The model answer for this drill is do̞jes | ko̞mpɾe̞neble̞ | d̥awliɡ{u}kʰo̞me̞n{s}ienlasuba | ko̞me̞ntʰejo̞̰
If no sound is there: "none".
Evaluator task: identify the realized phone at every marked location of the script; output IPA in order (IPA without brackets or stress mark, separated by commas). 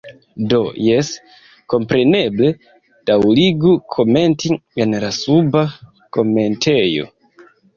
u, t